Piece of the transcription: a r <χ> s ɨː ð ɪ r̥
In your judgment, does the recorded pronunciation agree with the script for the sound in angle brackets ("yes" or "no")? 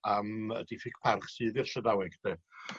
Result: yes